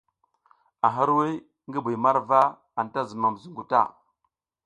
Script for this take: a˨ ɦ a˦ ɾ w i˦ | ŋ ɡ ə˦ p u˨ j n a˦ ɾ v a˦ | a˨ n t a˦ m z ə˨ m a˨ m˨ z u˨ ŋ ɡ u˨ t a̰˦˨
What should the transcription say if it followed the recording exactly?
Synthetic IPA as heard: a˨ ɦ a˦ ɾ w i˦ | ŋ ɡ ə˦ b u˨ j m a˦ ɾ v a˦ | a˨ n t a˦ z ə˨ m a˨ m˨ z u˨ ŋ ɡ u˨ t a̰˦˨